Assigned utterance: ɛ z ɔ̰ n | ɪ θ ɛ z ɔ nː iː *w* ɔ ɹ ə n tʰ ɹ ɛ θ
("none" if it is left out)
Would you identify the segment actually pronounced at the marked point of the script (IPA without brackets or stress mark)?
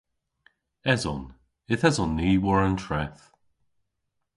w